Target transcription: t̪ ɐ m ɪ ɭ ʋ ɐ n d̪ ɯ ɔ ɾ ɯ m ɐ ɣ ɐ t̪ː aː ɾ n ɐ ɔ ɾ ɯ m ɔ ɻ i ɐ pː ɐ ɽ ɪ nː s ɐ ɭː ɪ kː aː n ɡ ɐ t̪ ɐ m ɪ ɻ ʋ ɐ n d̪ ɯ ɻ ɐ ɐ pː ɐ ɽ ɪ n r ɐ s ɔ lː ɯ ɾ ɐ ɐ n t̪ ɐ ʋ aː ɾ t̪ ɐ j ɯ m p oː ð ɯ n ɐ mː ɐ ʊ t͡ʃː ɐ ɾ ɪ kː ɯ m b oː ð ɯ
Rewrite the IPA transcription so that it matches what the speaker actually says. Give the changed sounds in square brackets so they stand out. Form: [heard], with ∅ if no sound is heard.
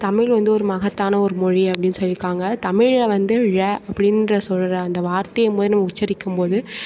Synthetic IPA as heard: t̪ ɐ m ɪ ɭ ʋ ɐ n d̪ ɯ ɔ ɾ ɯ m ɐ ɣ ɐ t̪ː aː [∅] n ɐ ɔ ɾ ɯ m ɔ ɻ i ɐ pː ɐ ɽ ɪ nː s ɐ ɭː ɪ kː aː [ŋ] ɡ ɐ t̪ ɐ m ɪ ɻ ʋ ɐ n d̪ ɯ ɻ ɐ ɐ pː ɐ ɽ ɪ n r ɐ s ɔ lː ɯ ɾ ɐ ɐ n [d̪] ɐ ʋ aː ɾ t̪ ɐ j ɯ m p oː ð ɯ n ɐ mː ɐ ʊ t͡ʃː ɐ ɾ ɪ kː ɯ m [p] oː ð ɯ